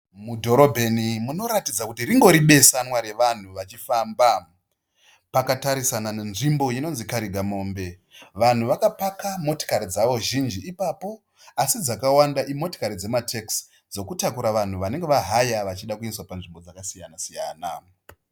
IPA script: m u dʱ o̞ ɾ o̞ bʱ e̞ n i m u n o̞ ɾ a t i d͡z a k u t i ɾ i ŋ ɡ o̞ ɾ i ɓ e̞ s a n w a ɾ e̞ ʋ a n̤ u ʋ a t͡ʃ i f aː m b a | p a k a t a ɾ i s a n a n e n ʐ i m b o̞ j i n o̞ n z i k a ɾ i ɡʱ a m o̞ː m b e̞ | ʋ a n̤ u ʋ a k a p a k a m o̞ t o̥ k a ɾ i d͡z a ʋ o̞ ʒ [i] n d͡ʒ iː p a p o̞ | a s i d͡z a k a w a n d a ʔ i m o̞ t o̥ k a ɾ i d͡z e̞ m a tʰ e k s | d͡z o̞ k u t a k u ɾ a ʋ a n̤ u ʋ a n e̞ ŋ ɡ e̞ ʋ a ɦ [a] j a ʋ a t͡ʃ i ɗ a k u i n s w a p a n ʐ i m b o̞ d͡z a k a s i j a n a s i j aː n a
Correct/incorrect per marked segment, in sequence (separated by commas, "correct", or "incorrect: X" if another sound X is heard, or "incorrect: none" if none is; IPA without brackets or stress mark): correct, correct